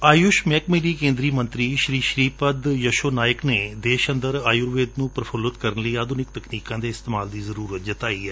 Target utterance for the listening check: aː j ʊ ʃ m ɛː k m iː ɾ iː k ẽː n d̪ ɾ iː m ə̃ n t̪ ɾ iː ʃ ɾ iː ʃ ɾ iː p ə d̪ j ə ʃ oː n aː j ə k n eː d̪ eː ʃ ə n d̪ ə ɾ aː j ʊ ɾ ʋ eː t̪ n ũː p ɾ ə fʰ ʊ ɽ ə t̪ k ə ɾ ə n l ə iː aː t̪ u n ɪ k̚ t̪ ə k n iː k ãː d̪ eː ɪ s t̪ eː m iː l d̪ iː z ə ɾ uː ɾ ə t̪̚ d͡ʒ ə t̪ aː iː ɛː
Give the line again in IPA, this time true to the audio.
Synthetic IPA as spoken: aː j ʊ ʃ m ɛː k m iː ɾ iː k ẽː n d̪ ɾ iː m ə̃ n t̪ ɾ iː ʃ ɾ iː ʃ ɾ iː p ə d̪ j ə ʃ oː n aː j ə k n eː d̪ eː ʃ ə n d̪ ə ɾ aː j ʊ ɾ ʋ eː d̪ n ũː p ɾ ə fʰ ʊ l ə t̪ k ə ɾ ə n l ə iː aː d̪ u n ɪ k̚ t̪ ə k n iː k ãː d̪ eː ɪ s t̪ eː m aː l d̪ iː z ə ɾ uː ɾ ə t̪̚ d͡ʒ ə t̪ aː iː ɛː

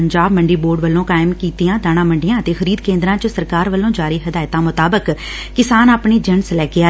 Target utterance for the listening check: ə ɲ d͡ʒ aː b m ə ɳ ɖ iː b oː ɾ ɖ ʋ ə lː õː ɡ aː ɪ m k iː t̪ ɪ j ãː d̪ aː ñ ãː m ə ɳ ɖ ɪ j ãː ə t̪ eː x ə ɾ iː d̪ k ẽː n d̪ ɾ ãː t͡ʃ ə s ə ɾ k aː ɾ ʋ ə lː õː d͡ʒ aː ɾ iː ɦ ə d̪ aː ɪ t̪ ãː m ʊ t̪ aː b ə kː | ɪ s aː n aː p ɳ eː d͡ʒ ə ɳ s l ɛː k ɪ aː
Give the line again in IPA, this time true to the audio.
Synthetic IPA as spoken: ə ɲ d͡ʒ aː b m ə ɳ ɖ iː b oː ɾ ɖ ʋ ə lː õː k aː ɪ m k iː t̪ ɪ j ãː d̪ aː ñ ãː m ə ɳ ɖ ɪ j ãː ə t̪ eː x ə ɾ iː d̪ k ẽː n d̪ ɾ ãː t͡ʃ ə s ə ɾ k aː ɾ ʋ ə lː õː d͡ʒ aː ɾ iː ɦ ə d̪ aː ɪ t̪ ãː m ʊ t̪ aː b ə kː | ɪ s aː n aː p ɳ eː d͡ʒ ə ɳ s l ɛː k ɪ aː

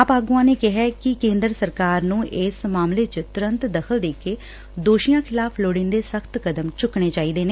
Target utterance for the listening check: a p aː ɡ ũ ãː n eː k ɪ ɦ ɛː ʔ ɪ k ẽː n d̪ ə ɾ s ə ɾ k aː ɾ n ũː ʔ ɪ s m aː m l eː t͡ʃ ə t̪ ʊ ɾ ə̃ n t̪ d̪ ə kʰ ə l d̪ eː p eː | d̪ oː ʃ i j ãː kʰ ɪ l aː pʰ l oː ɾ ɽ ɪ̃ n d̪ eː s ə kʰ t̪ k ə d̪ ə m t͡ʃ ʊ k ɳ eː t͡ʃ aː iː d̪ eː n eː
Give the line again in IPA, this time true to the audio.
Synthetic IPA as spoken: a p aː ɡ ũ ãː n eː k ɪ ɦ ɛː k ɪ k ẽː n d̪ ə ɾ s ə ɾ k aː ɾ n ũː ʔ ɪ s m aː m l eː t͡ʃ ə t̪ ʊ ɾ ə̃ n t̪ d̪ ə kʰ ə l d̪ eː k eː | d̪ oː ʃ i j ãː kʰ ɪ l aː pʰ l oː ɽ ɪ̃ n d̪ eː s ə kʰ t̪ k ə d̪ ə m t͡ʃ ʊ k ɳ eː t͡ʃ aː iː d̪ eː n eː

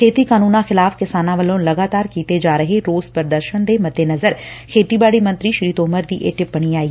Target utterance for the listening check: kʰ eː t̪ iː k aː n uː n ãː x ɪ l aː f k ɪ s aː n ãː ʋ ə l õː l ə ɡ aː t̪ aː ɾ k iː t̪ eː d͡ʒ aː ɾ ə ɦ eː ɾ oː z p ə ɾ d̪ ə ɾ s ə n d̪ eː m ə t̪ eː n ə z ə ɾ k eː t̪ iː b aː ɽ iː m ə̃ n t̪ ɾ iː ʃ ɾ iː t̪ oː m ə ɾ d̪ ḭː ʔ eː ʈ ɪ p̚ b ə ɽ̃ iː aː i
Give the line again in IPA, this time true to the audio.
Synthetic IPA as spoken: kʰ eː t̪ iː k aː n uː n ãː x ɪ l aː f k ɪ s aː n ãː ʋ ə l õː l ə ɡ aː t̪ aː ɾ k iː t̪ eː d͡ʒ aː ɾ ə ɦ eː ɾ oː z p ə ɾ d̪ ə ɾ ʃ ə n d̪ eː m ə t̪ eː n ə z ə ɾ kʰ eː t̪ iː b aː ɽ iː m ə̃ n t̪ ɾ iː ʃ ɾ iː t̪ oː m ə ɾ d̪ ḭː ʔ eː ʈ ɪ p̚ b ə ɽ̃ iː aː i

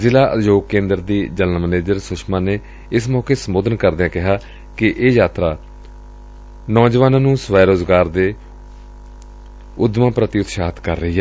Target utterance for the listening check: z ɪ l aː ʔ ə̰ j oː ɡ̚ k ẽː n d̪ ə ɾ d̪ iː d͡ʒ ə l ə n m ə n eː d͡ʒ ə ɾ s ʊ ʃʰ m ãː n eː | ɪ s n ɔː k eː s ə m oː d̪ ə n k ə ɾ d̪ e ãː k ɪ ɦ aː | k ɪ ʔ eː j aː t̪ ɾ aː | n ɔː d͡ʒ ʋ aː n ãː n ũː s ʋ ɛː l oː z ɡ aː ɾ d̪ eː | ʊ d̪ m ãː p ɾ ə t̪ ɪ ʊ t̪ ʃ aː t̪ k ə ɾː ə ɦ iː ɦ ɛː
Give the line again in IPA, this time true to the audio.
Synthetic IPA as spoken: z ɪ l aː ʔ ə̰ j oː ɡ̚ k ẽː n d̪ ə ɾ d̪ iː d͡ʒ ə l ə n m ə n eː d͡ʒ ə ɾ s ʊ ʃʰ m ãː n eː | ɪ s m ɔː k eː s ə m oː d̪ ə n k ə ɾ d̪ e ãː k ɪ ɦ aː | k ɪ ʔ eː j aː t̪ ɾ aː | n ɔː d͡ʒ ʋ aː n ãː n ũː s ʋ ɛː ɾ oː z ɡ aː ɾ d̪ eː | ʊ d̪ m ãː p ɾ ə t̪ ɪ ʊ t̪ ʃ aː t̪ k ə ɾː ə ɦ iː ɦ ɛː

